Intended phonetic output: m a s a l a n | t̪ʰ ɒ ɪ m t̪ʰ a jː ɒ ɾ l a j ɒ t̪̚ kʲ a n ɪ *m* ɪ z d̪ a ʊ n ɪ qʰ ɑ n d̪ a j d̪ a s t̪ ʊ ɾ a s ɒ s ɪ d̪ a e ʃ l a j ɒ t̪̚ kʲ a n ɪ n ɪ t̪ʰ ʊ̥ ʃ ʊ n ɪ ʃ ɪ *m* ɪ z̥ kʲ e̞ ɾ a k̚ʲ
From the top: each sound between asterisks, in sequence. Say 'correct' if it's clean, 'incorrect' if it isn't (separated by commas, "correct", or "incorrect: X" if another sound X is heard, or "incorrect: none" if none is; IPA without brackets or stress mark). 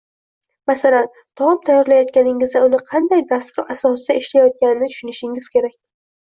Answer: incorrect: ŋ, incorrect: ŋ